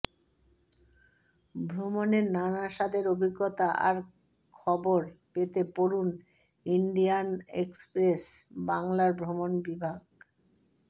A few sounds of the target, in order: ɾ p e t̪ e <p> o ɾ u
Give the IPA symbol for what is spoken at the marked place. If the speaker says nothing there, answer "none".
p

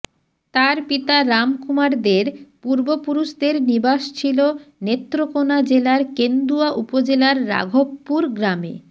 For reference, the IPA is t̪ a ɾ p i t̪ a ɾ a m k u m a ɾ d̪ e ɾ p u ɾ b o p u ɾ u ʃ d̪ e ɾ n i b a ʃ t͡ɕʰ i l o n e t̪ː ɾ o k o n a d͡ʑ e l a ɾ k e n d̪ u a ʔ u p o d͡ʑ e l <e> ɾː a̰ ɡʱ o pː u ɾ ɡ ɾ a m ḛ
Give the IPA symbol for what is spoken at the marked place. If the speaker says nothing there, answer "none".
a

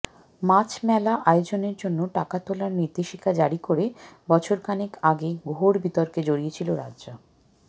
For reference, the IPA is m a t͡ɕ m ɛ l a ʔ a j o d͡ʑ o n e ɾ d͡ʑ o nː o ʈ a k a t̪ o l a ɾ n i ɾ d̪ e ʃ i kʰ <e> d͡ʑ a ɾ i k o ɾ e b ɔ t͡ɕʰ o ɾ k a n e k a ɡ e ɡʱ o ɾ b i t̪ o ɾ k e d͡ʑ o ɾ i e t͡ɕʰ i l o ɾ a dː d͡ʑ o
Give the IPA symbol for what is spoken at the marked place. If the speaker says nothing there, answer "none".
a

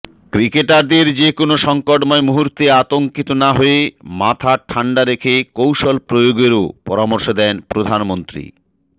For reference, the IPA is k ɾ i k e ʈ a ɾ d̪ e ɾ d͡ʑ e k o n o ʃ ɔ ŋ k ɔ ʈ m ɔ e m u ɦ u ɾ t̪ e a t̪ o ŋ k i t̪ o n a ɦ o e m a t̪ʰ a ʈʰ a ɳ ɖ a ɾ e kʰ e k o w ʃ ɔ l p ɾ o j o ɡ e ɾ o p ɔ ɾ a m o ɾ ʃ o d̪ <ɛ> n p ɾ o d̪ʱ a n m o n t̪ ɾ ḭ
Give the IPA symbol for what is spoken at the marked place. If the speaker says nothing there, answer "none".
ɛ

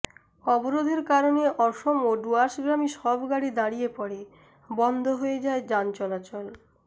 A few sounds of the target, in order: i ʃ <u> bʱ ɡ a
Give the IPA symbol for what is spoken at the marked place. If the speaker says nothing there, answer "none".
ɔ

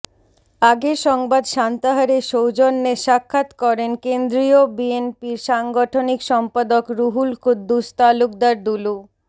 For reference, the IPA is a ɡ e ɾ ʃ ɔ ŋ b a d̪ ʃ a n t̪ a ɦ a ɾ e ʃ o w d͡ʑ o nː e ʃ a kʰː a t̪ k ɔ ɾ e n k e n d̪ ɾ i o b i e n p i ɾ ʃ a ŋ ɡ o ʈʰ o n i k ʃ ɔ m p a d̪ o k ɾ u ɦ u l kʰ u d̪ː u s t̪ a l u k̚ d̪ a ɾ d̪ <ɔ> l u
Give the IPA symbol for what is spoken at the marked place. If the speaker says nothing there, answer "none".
u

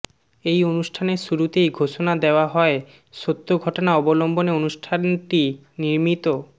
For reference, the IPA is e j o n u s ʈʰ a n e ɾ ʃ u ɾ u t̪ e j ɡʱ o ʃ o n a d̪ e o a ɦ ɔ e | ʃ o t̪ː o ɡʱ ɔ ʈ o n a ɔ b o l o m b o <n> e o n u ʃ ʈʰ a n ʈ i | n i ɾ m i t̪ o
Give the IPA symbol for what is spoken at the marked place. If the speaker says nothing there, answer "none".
n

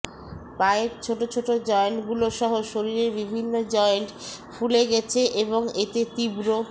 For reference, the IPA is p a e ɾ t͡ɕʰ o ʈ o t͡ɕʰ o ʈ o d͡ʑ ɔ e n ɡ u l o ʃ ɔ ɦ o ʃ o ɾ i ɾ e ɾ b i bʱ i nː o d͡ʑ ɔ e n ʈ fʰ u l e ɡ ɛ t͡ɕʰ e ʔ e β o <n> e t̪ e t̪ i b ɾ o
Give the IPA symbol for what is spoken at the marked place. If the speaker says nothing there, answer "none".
ŋ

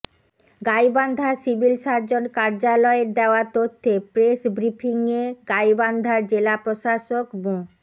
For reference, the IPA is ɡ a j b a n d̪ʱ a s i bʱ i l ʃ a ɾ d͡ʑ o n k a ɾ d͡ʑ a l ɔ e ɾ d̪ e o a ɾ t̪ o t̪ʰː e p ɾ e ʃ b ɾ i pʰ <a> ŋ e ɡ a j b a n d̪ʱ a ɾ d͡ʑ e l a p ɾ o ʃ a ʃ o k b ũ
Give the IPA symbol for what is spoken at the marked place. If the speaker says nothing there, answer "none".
i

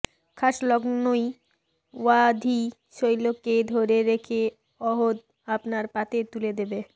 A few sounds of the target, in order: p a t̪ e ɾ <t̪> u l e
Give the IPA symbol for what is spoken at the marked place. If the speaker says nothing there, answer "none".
t̪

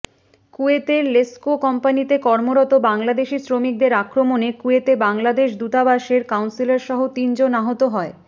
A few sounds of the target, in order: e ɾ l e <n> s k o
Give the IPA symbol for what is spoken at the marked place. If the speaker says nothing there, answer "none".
none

